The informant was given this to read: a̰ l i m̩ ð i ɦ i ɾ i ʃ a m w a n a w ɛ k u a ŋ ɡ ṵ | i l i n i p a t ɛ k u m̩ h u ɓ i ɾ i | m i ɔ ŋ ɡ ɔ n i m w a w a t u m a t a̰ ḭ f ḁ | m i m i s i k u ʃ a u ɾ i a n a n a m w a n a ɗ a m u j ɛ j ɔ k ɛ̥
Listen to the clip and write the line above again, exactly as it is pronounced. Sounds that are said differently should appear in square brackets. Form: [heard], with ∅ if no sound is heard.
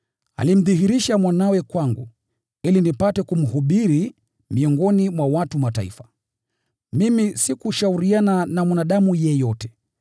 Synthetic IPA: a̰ l i m̩ ð i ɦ i ɾ i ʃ a m w a n a w ɛ k [w] a ŋ ɡ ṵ | i l i n i p a t ɛ k u m̩ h u ɓ i ɾ i | m i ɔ ŋ ɡ ɔ n i m w a w a t u m a t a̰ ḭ f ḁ | m i m i s i k u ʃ a u ɾ i a n a n a m w a n a ɗ a m u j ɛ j ɔ [t] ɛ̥